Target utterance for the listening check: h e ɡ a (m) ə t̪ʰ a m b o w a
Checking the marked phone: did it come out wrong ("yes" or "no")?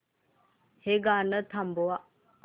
yes